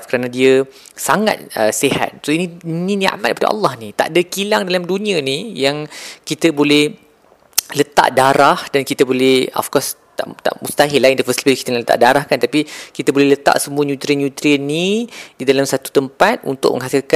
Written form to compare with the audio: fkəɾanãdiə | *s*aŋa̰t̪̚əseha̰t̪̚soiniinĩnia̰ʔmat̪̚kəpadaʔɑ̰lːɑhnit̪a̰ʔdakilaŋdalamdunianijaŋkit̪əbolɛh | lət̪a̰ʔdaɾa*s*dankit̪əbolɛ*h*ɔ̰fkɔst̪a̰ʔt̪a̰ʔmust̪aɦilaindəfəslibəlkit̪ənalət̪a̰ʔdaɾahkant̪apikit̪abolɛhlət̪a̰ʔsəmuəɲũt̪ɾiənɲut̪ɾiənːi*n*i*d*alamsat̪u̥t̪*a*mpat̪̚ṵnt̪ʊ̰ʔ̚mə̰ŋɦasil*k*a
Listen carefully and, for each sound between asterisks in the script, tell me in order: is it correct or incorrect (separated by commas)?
correct, incorrect, correct, incorrect, correct, incorrect, correct